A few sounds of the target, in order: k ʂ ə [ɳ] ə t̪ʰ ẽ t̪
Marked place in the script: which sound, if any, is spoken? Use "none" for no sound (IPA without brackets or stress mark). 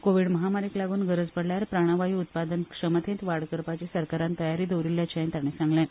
m